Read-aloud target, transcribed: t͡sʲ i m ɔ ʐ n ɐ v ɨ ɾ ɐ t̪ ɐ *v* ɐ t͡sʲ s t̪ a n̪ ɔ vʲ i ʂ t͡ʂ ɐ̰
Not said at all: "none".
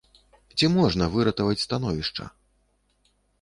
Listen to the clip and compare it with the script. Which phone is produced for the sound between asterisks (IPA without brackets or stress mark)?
v